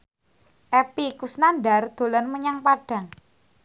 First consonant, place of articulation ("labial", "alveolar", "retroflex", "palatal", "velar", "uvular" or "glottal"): glottal